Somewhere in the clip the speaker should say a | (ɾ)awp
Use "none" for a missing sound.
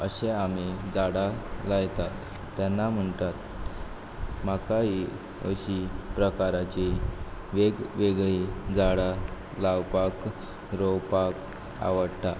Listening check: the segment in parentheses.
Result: l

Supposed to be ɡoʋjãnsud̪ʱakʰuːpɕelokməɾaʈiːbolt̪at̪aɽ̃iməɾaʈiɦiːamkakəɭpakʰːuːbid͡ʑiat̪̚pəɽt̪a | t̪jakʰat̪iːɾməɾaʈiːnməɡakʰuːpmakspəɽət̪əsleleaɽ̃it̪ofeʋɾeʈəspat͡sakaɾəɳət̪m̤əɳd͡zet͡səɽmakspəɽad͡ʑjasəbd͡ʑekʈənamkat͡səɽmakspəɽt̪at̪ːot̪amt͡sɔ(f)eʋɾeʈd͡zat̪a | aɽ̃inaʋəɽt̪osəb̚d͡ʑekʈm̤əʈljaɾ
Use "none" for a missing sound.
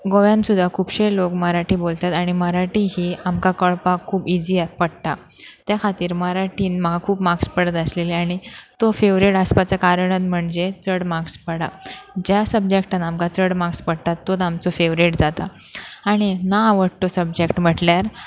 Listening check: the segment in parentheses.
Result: f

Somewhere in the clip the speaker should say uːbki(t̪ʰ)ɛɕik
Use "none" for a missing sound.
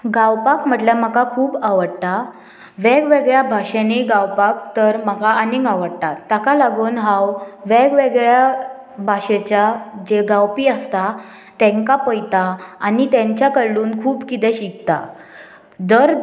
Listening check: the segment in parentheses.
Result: t̪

